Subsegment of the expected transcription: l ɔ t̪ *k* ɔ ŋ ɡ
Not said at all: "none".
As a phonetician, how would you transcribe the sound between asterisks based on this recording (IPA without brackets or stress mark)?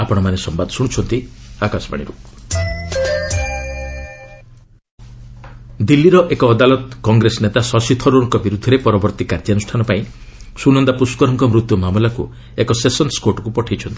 k